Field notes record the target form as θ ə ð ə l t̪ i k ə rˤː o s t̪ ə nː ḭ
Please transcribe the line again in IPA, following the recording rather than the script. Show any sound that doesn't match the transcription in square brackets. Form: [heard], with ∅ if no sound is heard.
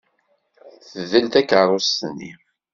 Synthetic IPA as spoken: θ ə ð ə l t̪ [æ] k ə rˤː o s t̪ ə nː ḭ